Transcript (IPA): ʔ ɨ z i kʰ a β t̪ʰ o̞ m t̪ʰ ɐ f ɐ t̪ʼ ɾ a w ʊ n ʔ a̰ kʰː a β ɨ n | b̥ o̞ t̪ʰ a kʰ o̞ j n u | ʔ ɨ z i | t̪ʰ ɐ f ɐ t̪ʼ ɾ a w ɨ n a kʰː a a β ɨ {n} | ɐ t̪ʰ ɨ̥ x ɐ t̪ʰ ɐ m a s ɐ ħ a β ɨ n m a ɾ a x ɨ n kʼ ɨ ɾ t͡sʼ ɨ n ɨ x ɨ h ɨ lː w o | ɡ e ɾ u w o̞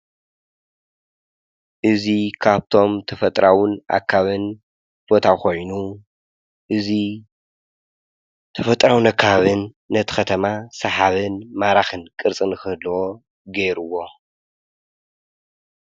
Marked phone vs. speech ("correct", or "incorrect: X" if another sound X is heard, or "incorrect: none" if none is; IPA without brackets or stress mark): incorrect: nː